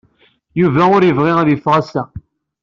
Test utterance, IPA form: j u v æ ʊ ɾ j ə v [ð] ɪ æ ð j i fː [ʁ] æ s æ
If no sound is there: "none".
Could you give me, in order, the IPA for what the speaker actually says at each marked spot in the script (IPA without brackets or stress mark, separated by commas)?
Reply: ʁ, ʁ